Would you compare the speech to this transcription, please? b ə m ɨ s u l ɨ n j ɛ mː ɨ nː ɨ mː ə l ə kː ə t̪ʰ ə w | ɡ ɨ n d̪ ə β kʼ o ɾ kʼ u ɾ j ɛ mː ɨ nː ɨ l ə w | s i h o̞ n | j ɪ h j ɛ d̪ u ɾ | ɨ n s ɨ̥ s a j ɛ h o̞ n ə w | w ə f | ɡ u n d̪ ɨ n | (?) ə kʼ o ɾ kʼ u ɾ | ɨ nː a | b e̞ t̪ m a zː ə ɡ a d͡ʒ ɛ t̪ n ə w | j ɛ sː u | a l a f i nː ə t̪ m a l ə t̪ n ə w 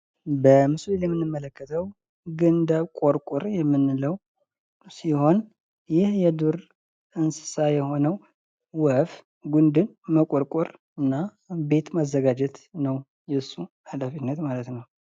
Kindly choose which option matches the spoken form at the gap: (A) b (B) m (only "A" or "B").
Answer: B